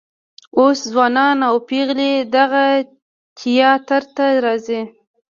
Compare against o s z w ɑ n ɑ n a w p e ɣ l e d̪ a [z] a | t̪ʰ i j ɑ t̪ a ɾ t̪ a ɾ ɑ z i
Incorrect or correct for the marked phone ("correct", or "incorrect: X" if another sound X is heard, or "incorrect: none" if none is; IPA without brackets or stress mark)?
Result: incorrect: ɣ